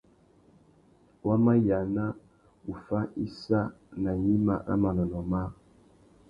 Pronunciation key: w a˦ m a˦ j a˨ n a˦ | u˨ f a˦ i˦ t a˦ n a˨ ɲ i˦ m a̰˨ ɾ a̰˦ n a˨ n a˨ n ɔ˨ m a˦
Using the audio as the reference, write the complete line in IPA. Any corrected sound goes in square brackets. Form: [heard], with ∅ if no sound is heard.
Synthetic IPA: w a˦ m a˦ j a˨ n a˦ | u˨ f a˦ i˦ [s] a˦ n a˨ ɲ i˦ m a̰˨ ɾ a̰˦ [m] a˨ n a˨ n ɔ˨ m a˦